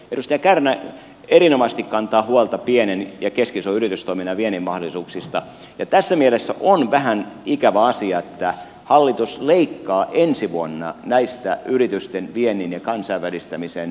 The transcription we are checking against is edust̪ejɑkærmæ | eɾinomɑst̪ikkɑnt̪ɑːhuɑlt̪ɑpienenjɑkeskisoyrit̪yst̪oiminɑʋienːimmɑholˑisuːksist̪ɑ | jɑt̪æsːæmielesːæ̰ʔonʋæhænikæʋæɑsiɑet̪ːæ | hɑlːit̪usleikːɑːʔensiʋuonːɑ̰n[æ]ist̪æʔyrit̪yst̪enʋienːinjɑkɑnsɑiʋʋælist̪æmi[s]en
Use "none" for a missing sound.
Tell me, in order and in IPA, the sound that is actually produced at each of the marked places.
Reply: æ, s

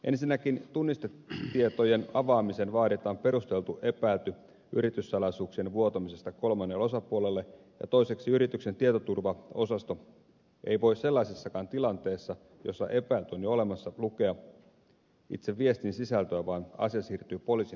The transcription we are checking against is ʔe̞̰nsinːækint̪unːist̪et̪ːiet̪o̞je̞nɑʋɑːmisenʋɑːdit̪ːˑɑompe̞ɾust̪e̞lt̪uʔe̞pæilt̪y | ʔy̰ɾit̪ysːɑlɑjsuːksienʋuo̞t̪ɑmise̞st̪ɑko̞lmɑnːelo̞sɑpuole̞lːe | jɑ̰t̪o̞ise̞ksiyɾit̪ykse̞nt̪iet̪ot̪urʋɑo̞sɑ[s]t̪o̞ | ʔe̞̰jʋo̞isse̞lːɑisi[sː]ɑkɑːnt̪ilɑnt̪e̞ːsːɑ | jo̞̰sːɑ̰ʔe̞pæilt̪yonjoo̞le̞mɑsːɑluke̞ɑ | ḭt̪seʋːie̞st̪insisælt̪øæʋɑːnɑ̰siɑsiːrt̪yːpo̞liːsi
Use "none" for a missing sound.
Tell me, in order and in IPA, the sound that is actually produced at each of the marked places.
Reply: s, sː

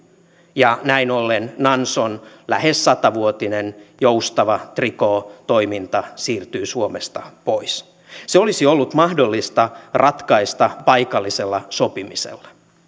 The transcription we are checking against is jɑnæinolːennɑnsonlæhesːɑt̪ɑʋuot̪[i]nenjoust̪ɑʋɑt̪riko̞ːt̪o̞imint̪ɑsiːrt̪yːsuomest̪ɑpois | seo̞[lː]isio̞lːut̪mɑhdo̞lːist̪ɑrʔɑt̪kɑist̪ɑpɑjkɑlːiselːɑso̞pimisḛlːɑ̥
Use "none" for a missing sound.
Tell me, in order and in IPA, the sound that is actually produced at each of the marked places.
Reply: i, l

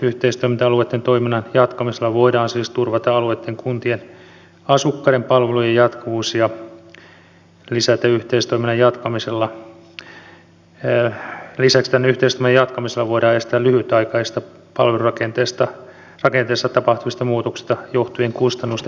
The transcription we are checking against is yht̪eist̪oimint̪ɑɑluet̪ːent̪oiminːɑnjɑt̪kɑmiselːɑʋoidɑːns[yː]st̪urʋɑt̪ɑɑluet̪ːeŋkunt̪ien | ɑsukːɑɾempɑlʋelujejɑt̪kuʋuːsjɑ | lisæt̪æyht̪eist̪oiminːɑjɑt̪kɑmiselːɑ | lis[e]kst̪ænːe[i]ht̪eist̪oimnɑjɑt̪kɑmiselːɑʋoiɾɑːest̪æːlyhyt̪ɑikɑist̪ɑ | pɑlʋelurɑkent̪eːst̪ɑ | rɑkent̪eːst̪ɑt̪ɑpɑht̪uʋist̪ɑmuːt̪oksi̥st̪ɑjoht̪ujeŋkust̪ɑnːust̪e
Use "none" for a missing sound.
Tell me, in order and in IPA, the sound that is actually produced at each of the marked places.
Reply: iː, æ, y

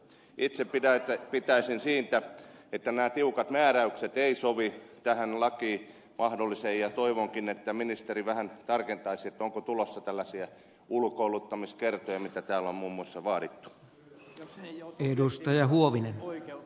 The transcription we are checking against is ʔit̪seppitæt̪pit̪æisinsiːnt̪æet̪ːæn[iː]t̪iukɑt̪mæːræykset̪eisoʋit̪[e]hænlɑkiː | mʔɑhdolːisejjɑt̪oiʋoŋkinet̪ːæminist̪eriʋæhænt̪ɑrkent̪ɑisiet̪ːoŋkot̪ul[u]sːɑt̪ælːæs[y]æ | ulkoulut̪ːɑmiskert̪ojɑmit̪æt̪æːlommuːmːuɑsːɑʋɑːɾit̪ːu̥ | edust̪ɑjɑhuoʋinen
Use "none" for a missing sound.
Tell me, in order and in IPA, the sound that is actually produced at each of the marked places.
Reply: æː, æ, o, i

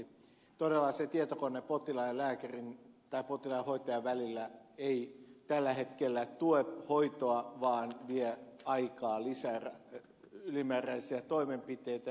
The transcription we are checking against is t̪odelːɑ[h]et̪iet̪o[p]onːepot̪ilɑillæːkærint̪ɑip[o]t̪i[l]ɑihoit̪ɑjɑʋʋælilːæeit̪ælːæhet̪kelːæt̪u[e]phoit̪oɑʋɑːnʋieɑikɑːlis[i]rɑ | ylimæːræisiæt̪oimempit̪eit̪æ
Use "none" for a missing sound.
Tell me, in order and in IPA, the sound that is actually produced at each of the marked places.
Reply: s, k, o, l, e, æ

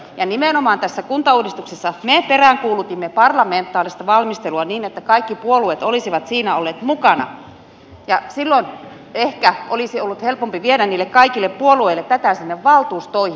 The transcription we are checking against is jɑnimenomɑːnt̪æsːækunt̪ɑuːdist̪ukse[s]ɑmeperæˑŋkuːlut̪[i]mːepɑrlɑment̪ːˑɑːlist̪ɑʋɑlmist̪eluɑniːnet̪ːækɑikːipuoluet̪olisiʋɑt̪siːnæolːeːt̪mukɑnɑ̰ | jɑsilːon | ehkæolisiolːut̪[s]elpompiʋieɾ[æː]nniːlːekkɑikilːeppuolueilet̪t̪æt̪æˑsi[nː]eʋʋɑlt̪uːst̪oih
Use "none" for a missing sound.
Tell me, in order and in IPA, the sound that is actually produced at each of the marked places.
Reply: sː, i, h, æ, nː

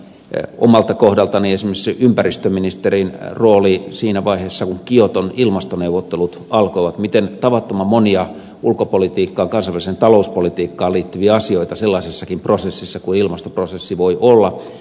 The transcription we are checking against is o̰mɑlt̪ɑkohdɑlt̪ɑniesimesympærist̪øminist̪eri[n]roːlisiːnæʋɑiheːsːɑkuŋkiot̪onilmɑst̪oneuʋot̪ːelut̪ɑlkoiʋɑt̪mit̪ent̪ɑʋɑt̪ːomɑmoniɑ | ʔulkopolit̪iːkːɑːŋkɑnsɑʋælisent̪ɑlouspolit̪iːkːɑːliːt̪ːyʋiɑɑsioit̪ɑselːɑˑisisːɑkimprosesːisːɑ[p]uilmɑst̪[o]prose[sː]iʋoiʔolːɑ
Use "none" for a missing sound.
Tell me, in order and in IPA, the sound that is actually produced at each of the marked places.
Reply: n, k, o, sː

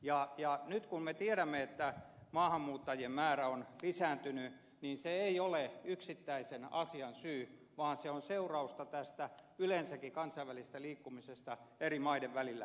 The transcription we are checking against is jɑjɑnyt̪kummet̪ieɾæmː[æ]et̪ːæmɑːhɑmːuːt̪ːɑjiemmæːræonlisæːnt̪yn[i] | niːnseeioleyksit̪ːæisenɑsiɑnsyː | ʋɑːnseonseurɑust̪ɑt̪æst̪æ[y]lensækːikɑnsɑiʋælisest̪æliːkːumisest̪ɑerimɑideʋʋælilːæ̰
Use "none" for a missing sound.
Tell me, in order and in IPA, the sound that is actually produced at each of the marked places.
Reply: e, y, y

